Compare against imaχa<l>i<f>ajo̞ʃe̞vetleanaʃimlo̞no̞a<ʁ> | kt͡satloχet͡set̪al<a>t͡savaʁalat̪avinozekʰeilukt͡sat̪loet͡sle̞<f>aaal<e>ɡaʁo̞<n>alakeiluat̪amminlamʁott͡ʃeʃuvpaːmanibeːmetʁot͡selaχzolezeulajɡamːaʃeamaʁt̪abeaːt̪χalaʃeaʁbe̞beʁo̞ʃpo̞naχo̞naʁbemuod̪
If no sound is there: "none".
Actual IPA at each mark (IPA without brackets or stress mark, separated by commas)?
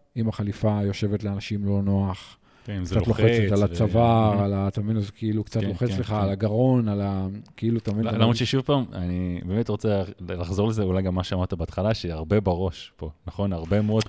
l, f, χ, a, χ, a, n